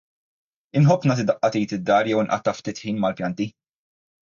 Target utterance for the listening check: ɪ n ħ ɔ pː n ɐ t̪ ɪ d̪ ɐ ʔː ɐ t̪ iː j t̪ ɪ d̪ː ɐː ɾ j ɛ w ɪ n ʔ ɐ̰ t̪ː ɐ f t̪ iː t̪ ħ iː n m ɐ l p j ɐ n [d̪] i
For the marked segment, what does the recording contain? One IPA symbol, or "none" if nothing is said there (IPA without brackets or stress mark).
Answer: t̪